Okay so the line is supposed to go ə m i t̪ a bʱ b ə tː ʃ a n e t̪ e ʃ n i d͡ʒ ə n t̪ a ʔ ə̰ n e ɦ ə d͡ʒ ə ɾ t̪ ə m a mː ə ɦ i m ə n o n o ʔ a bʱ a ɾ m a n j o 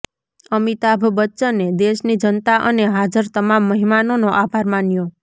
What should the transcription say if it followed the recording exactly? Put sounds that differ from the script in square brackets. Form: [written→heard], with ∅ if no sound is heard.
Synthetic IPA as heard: ə m i t̪ a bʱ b ə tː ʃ [a→ə] n e [t̪→d̪] e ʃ n i d͡ʒ ə n t̪ a ʔ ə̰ n e ɦ [ə→a] d͡ʒ ə ɾ t̪ ə m a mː ə ɦ i m [ə→a] n o n o ʔ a bʱ a ɾ m a n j o